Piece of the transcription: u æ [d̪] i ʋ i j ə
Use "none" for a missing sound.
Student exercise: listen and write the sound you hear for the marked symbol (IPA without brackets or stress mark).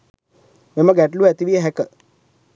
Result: t̪